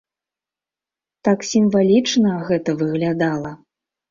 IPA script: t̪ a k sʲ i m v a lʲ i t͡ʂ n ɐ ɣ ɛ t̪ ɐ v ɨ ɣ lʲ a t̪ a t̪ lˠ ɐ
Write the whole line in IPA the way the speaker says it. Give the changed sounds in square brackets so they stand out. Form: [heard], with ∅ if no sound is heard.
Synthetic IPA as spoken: t̪ a k sʲ i m v a lʲ i t͡ʂ n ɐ ɣ ɛ t̪ ɐ v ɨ ɣ lʲ a [d̪] a [∅] lˠ ɐ